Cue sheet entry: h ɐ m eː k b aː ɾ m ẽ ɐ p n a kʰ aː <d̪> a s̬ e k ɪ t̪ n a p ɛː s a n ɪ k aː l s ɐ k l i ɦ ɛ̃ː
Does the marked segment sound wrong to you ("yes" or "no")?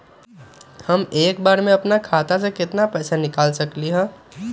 yes